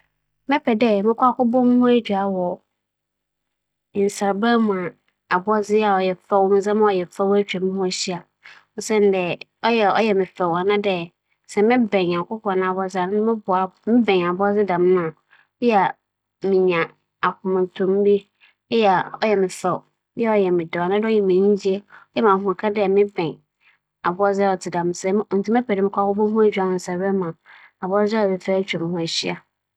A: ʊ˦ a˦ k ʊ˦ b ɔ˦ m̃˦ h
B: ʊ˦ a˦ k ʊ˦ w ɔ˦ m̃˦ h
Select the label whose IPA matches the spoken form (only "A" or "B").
A